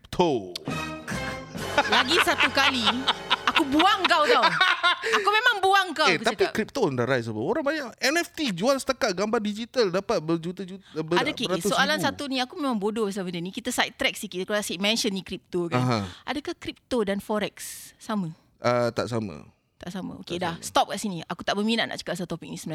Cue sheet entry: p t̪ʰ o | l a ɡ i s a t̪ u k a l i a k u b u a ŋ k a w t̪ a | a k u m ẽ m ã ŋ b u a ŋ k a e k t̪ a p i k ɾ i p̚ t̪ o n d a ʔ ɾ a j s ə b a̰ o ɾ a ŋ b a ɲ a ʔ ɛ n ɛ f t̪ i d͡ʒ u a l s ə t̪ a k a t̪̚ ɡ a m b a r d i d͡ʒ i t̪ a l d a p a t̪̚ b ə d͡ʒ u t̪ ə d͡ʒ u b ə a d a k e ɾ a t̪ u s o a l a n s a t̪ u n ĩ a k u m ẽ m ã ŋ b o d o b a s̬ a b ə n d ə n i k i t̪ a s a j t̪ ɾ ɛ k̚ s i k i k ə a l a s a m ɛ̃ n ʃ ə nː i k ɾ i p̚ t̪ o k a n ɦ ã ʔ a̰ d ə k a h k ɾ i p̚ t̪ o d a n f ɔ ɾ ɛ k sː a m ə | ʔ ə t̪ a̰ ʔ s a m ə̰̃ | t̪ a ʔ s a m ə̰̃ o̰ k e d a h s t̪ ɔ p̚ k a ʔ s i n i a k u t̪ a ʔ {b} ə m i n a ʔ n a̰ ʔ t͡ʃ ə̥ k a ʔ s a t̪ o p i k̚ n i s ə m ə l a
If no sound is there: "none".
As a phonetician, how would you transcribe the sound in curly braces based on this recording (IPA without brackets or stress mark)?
b